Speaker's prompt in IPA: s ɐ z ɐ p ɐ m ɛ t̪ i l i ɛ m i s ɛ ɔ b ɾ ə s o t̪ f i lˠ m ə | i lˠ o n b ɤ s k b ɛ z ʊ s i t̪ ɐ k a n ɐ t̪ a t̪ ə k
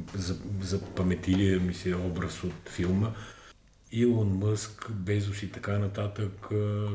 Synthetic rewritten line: z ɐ z ɐ p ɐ m ɛ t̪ i l i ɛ m i s ɛ ɔ b ɾ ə s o t̪ f i lˠ m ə | i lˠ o n m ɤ s k b ɛ z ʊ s i t̪ ɐ k a n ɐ t̪ a t̪ ə k